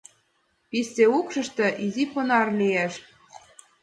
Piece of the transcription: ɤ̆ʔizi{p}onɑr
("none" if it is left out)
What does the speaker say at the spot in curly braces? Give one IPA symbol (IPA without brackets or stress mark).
p